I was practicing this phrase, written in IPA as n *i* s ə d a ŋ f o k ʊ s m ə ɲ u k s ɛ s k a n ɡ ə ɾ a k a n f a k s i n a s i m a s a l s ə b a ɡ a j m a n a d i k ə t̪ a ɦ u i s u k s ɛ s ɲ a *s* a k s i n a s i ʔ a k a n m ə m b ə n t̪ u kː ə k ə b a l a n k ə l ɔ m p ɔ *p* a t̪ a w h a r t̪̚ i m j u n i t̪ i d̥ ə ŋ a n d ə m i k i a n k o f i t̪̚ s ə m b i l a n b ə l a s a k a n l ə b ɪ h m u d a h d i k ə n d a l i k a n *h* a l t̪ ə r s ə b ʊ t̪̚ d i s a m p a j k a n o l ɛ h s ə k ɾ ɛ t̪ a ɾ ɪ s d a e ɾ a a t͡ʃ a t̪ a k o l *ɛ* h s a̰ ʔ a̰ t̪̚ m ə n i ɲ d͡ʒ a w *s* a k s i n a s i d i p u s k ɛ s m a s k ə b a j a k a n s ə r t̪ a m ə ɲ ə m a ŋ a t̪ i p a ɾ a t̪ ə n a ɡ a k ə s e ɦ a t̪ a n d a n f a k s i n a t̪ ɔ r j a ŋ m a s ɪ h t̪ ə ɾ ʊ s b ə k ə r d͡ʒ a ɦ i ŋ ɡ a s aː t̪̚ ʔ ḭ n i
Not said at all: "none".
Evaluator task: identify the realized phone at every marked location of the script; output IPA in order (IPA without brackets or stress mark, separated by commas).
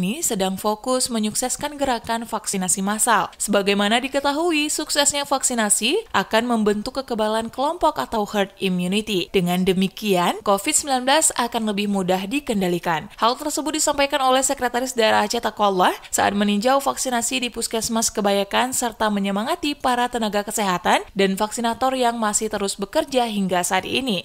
i, f, k, h, a, f